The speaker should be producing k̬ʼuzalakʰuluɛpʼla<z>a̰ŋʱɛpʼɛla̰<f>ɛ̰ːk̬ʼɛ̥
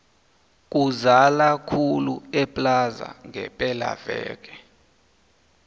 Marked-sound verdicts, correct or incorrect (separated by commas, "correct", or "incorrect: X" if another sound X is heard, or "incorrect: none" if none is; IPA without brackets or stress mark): correct, incorrect: v